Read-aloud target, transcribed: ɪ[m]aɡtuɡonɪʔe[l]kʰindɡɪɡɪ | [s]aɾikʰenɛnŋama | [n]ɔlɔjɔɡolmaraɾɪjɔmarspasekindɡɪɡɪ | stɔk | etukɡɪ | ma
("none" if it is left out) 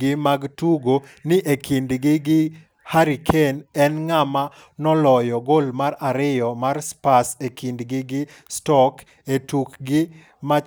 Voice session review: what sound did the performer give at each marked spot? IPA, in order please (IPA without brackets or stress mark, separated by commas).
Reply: m, none, h, n